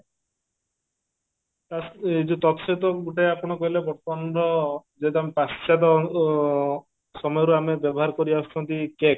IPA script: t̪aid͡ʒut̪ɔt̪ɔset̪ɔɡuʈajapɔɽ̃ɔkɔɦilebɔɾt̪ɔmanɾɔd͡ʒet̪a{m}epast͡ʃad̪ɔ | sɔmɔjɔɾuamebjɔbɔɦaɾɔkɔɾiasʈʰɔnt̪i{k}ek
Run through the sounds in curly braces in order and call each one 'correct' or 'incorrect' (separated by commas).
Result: correct, correct